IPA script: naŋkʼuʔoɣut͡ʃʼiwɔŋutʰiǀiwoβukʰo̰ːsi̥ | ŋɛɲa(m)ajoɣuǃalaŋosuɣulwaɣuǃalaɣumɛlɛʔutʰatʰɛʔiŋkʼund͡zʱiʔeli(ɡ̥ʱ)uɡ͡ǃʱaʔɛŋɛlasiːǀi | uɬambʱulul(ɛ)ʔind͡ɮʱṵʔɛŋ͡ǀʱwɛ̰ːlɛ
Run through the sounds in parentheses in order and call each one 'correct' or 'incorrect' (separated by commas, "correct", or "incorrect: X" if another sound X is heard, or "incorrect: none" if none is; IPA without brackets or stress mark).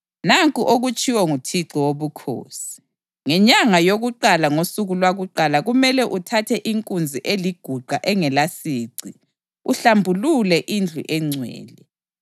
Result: incorrect: ŋ, correct, correct